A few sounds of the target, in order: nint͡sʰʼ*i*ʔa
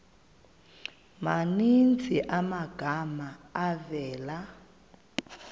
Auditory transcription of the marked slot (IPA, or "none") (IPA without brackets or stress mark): i